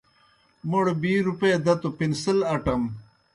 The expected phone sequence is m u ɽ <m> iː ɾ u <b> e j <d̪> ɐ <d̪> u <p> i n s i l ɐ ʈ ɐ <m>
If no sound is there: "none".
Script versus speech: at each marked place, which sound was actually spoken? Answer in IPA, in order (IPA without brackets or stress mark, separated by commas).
b, p, d̪, t̪, p, m